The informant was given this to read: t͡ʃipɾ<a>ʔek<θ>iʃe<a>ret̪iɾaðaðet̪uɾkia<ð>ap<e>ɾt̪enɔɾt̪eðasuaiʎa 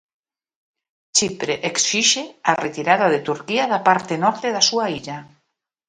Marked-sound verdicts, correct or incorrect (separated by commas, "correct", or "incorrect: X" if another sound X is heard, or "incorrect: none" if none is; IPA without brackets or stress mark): incorrect: e, incorrect: s, correct, correct, incorrect: a